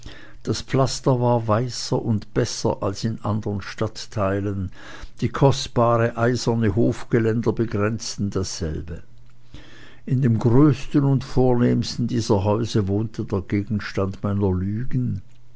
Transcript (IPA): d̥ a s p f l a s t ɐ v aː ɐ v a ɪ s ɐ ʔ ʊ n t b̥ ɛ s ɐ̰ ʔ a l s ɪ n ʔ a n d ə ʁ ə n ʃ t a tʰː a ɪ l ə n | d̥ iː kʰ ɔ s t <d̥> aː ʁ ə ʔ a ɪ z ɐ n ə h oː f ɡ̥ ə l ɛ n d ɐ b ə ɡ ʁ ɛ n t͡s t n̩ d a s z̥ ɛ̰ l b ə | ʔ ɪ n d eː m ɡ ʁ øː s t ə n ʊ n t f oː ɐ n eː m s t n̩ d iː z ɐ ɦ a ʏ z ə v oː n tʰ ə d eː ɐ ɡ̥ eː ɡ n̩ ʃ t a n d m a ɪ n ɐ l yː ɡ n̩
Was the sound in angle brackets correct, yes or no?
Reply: no